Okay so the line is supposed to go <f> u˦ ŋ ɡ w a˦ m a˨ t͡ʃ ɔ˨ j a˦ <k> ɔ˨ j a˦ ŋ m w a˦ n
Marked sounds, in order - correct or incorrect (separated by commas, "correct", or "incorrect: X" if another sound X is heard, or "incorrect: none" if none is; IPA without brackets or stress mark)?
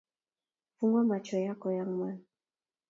correct, correct